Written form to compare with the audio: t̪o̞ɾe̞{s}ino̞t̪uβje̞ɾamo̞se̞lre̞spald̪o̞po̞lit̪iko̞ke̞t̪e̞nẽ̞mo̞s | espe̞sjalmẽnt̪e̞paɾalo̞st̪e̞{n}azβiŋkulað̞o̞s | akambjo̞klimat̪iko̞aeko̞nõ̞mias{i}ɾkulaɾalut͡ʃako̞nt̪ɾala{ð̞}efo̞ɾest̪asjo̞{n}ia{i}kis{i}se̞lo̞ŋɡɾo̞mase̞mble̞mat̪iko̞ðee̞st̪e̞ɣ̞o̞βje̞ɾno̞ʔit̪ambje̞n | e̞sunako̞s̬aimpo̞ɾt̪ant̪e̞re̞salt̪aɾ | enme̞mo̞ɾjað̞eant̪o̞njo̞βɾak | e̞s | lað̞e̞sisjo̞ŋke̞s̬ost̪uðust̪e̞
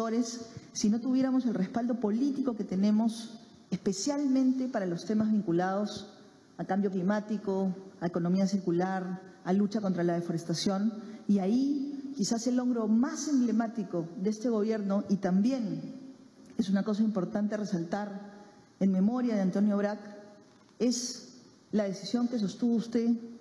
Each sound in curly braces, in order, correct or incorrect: incorrect: sː, incorrect: m, correct, correct, correct, correct, incorrect: a

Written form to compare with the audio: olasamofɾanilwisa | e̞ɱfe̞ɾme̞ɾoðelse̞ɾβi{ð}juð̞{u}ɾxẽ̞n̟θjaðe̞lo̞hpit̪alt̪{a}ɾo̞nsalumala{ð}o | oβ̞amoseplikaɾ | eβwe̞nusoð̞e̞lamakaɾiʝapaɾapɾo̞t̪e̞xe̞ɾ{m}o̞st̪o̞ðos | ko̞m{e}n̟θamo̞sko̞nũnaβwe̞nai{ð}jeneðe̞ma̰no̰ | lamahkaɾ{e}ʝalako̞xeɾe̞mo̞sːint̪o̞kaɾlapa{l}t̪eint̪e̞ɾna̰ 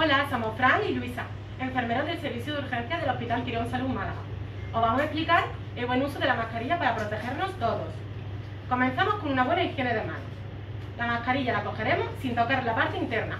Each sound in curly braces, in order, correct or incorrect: incorrect: θ, correct, incorrect: i, incorrect: ɣ, incorrect: n, incorrect: ẽ, incorrect: θ, incorrect: i, incorrect: ɾ

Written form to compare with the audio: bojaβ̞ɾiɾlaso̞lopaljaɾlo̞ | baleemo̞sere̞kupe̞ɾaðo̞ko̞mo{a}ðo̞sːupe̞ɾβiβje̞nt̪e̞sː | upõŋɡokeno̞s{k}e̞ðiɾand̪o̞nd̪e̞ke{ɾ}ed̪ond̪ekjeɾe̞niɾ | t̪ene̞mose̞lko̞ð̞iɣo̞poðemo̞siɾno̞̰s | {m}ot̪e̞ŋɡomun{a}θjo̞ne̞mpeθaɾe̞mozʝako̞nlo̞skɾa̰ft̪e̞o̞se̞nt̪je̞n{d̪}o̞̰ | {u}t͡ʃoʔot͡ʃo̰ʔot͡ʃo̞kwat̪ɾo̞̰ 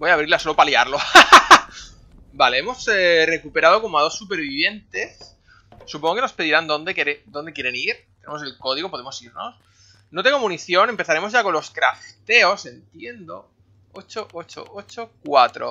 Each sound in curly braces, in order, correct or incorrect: correct, incorrect: p, correct, incorrect: n, incorrect: i, correct, incorrect: o

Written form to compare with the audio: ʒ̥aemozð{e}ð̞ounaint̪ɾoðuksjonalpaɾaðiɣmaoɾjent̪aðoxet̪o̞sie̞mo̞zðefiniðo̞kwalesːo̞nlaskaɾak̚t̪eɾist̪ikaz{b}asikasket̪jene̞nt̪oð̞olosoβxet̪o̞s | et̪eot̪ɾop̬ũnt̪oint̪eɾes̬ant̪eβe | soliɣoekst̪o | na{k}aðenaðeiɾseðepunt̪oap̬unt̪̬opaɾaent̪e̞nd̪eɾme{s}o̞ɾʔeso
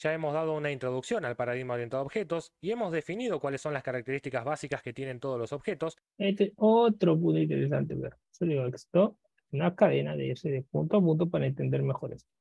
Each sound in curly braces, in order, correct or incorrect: incorrect: a, incorrect: β, correct, incorrect: x

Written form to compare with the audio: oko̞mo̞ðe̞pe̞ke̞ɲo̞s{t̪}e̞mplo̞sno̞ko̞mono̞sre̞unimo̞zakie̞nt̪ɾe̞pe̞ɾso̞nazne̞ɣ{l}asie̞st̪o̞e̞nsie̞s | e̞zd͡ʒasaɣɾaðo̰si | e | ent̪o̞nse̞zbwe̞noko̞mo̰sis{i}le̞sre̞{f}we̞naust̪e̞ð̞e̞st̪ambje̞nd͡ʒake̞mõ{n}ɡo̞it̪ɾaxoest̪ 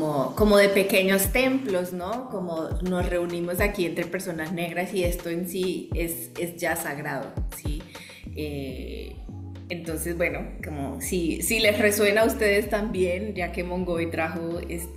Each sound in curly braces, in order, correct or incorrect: correct, incorrect: ɾ, correct, incorrect: s, incorrect: ŋ

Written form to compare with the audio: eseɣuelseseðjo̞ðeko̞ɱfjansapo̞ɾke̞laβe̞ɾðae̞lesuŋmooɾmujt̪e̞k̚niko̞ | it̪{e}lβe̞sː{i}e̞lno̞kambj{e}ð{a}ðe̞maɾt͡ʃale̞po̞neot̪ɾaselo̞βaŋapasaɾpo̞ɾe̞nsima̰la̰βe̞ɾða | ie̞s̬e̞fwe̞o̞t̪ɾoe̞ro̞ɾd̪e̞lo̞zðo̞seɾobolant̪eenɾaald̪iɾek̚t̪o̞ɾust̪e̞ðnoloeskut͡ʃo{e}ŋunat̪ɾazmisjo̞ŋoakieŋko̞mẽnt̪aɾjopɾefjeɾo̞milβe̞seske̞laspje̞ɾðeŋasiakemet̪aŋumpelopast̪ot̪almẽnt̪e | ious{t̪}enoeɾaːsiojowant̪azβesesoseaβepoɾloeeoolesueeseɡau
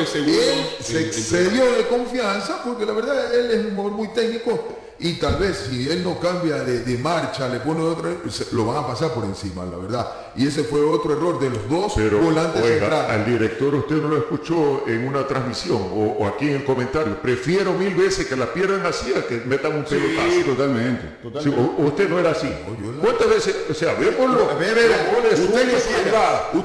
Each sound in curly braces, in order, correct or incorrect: incorrect: a, correct, incorrect: a, incorrect: e, correct, correct

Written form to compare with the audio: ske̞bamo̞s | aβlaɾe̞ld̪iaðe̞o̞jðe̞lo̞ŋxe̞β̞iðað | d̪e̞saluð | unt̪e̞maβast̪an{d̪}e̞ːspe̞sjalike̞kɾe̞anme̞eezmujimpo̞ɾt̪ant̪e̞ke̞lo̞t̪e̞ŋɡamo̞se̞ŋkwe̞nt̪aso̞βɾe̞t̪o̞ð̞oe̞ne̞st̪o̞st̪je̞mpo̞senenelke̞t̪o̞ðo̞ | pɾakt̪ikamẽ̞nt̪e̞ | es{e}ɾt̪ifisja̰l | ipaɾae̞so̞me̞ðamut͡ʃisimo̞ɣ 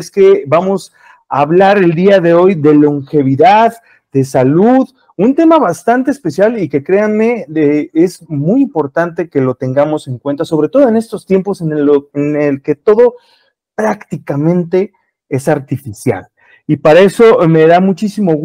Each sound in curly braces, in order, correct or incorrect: incorrect: t̪, incorrect: a

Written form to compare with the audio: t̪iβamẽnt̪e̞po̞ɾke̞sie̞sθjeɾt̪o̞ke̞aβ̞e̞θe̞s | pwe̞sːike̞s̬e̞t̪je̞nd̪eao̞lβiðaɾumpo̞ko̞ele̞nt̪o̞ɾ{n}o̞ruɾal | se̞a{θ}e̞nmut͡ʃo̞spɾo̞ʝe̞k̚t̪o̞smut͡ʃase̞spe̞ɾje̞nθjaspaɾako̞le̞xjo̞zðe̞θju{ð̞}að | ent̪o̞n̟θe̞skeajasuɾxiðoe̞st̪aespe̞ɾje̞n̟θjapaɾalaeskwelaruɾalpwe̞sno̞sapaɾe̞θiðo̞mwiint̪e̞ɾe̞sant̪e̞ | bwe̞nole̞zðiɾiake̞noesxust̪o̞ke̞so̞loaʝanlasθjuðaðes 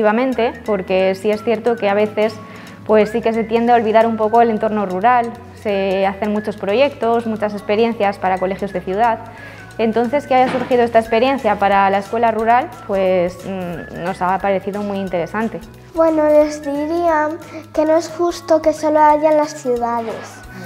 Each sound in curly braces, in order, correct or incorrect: correct, correct, correct

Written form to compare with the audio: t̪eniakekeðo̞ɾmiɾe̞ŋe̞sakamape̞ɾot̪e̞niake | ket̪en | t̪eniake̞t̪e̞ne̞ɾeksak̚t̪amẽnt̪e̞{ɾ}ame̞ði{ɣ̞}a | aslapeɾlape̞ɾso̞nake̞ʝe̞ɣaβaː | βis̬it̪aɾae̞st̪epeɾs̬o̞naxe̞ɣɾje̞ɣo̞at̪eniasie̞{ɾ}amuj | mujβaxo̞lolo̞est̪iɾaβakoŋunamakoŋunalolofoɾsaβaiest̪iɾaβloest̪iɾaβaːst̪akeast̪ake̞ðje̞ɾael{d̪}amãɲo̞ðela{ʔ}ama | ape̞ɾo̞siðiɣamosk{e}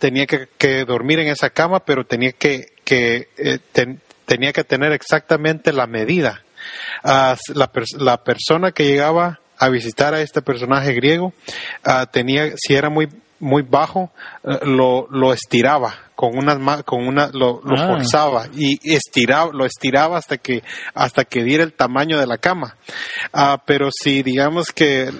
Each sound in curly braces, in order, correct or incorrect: incorrect: l, incorrect: ð̞, correct, incorrect: t̪, incorrect: k, correct

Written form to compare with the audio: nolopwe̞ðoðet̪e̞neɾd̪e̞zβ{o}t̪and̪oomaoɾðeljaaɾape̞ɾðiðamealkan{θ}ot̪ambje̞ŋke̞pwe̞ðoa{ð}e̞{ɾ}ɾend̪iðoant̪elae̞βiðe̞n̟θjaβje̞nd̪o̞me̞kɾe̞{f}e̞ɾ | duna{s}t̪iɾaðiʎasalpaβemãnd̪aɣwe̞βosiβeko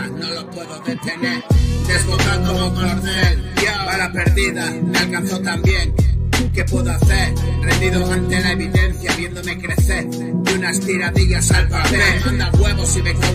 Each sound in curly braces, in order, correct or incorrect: correct, correct, incorrect: θ, correct, incorrect: θ, correct

